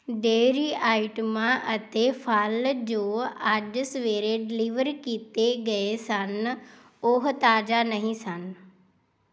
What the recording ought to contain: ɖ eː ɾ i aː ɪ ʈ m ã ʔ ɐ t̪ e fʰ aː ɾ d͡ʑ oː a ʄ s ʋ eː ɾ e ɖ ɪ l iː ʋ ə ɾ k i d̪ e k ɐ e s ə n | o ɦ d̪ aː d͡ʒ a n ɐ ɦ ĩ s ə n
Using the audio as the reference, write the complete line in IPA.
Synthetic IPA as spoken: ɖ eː ɾ i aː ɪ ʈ m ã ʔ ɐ t̪ e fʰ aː l d͡ʑ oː a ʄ s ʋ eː ɾ e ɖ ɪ l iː ʋ ə ɾ k i t̪ e ɡ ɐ e s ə n | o ɦ t̪ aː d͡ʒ a n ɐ ɦ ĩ s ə n

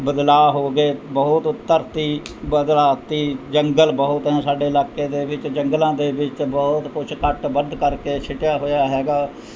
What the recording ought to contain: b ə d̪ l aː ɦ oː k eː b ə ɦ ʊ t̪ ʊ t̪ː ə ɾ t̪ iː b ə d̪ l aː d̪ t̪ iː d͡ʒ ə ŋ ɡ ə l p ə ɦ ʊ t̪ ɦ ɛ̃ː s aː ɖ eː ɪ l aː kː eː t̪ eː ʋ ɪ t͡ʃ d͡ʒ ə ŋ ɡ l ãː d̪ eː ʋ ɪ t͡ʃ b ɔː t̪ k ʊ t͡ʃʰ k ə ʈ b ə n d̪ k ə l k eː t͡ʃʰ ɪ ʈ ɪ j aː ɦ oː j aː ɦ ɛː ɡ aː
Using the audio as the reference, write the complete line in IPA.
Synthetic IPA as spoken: b ə d̪ l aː ɦ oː ɡ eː b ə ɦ ʊ t̪ ʊ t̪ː ə ɾ t̪ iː b ə d̪ l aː t̪ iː d͡ʒ ə ŋ ɡ ə l b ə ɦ ʊ t̪ ɦ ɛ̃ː s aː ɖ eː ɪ l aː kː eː d̪ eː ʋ ɪ t͡ʃ d͡ʒ ə ŋ ɡ l ãː d̪ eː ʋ ɪ t͡ʃ b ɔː t̪ k ʊ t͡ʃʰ k ə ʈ b ə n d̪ k ə ɾ k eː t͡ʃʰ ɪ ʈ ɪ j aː ɦ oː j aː ɦ ɛː ɡ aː

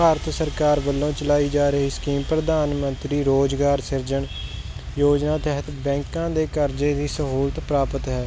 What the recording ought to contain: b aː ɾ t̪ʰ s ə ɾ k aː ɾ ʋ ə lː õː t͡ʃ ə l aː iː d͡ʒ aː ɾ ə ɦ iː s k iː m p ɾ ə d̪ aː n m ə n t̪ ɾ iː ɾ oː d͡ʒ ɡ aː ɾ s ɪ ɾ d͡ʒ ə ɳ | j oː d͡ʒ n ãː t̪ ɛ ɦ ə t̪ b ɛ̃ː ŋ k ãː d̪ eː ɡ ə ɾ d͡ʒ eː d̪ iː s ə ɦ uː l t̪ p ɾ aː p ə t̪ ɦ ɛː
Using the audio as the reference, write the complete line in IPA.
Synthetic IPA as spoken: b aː ɾ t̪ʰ s ə ɾ k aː ɾ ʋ ə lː õː t͡ʃ ə l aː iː d͡ʒ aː ɾ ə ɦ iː s k iː m p ɾ ə d̪ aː n m ə n t̪ ɾ iː ɾ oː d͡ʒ ɡ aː ɾ s ɪ ɾ d͡ʒ ə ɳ | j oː d͡ʒ n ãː t̪ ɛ ɦ ə t̪ b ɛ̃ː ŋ k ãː d̪ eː k ə ɾ d͡ʒ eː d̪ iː s ə ɦ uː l t̪ p ɾ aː p ə t̪ ɦ ɛː

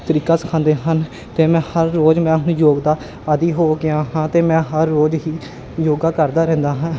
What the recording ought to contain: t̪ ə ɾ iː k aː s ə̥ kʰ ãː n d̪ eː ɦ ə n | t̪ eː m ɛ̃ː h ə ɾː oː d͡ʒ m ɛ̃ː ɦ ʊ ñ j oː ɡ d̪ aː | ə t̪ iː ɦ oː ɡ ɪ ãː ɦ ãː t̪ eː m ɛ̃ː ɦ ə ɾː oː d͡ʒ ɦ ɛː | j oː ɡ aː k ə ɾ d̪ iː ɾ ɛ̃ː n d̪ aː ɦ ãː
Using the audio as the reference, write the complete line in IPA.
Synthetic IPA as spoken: t̪ ə ɾ iː k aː s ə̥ kʰ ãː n d̪ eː ɦ ə n | t̪ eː m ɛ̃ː h ə ɾː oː d͡ʒ m ɛ̃ː ɦ ʊ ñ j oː ɡ d̪ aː | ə d̪ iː ɦ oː ɡ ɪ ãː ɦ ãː t̪ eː m ɛ̃ː ɦ ə ɾː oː d͡ʒ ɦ iː | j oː ɡ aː k ə ɾ d̪ aː ɾ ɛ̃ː n d̪ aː ɦ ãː

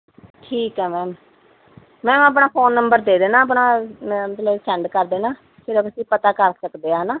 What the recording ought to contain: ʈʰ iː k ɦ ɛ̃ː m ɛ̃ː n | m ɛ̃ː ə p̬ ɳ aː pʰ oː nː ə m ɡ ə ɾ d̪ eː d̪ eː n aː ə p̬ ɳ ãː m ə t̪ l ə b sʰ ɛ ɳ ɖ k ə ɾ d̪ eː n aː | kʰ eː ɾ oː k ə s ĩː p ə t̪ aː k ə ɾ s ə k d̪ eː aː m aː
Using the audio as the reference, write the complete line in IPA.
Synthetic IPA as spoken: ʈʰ iː k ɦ ɛː m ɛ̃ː m | m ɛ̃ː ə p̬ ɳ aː pʰ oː nː ə m b ə ɾ d̪ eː d̪ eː n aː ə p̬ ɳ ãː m ə t̪ l ə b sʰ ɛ ɳ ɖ k ə ɾ d̪ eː n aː | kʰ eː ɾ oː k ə s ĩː p ə t̪ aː k ə ɾ s ə k d̪ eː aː n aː

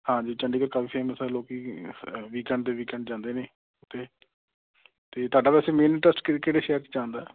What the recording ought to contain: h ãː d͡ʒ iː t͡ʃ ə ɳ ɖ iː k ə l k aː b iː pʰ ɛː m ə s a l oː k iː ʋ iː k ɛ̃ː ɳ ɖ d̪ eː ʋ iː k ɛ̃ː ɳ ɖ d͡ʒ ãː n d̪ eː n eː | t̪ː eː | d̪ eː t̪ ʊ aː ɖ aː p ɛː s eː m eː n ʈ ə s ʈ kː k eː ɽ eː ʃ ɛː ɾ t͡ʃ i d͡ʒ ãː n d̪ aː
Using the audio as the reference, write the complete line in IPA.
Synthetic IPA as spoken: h ãː d͡ʒ iː t͡ʃ ə ɳ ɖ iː k ə ɾ k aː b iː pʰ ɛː m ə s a l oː k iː ʋ iː k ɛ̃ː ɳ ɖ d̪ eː ʋ iː k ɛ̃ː ɳ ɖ d͡ʒ ãː n d̪ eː n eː | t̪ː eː | t̪ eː t̪ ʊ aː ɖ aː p ɛː s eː m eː n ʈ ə s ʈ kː k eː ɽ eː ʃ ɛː ɾ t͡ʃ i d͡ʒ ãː n d̪ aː

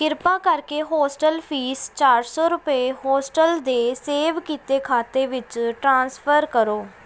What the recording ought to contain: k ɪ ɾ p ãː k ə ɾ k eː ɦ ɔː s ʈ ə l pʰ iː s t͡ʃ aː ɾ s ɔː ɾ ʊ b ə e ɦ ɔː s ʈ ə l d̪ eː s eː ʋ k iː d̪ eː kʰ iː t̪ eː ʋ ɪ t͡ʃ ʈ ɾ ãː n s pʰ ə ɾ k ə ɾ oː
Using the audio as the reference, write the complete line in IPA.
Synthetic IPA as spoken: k ɪ ɾ p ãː k ə ɾ k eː ɦ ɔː s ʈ ə l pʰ iː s t͡ʃ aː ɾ s ɔː ɾ ʊ p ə e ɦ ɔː s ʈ ə l d̪ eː s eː ʋ k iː t̪ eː kʰ aː t̪ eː ʋ ɪ t͡ʃ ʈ ɾ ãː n s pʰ ə ɾ k ə ɾ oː

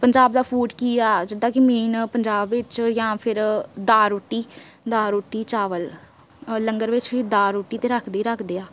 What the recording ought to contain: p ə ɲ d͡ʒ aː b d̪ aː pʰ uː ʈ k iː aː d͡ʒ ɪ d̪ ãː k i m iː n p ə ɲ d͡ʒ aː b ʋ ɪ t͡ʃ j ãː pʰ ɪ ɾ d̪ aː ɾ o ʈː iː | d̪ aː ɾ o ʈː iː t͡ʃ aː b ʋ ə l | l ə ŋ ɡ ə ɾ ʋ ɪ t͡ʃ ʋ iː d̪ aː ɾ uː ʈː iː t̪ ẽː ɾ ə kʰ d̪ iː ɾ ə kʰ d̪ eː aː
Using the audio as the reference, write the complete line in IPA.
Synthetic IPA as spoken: p ə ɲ d͡ʒ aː b d̪ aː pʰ uː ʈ k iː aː d͡ʒ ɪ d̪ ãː k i m iː n p ə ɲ d͡ʒ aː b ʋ ɪ t͡ʃ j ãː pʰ ɪ ɾ d̪ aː ɾ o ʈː iː | d̪ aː ɾ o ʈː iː t͡ʃ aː ʋ ə l | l ə ŋ ɡ ə ɾ ʋ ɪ t͡ʃ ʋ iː d̪ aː ɾ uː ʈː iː t̪ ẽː ɾ ə kʰ d̪ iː ɾ ə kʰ d̪ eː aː

